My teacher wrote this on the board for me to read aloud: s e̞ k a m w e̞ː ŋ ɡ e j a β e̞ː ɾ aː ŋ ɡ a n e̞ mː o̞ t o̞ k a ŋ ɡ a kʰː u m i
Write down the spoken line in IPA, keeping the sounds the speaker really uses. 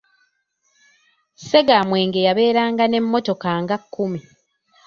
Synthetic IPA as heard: s e̞ ɡ a m w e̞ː ŋ ɡ e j a β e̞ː ɾ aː ŋ ɡ a n e̞ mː o̞ t o̞ k a ŋ ɡ a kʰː u m i